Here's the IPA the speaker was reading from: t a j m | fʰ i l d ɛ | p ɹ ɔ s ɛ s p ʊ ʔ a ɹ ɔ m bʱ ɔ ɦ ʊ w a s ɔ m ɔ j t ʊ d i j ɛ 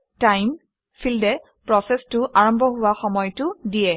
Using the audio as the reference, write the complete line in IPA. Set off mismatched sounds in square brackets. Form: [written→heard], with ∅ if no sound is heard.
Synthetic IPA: t a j m | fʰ i l d ɛ | p ɹ ɔ s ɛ s [p→t] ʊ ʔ a ɹ ɔ m bʱ ɔ ɦ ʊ w a [s→x] ɔ m ɔ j t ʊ d i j ɛ